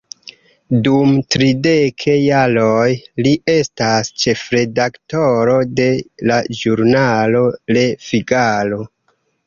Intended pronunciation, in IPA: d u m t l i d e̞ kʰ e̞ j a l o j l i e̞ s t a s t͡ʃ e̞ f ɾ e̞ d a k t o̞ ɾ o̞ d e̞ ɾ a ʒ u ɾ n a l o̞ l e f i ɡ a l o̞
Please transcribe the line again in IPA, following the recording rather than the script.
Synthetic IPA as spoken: d u m t ɾ i d e̞ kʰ e̞ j a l o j l i e̞ s t a s t͡ʃ e̞ f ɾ e̞ d a k t o̞ ɾ o̞ d e̞ l a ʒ u ɾ n a l o̞ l e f i ɡ a l o̞